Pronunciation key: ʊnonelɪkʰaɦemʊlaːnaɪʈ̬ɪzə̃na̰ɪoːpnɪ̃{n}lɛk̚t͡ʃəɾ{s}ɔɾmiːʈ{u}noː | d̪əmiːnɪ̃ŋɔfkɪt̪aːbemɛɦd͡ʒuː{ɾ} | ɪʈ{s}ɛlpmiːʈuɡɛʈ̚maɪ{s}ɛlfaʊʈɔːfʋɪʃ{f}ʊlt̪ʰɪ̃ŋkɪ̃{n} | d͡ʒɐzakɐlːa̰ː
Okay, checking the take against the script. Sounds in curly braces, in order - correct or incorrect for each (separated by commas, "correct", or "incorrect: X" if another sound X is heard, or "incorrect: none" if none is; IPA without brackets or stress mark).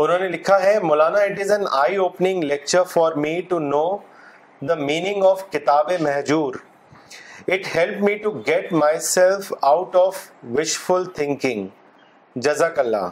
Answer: incorrect: ŋ, incorrect: f, correct, correct, incorrect: h, correct, correct, incorrect: ŋ